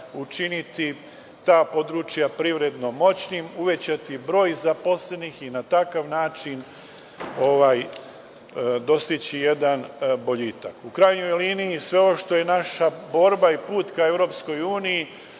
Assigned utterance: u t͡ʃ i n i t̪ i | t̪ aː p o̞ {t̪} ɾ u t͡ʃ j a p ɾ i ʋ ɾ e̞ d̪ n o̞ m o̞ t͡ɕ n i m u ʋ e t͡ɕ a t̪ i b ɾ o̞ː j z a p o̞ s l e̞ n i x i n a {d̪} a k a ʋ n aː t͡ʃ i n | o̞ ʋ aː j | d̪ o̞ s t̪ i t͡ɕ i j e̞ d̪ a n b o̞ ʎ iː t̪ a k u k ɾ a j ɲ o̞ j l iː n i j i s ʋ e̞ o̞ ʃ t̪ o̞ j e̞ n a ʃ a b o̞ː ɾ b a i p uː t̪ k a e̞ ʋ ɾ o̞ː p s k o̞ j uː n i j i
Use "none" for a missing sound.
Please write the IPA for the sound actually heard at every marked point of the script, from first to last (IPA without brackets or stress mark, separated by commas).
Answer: d̪, t̪